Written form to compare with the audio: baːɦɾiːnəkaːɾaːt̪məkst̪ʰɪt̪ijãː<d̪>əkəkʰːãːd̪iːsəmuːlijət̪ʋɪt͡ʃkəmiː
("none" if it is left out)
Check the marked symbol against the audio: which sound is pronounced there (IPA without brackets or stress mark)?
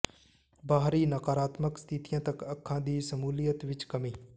t̪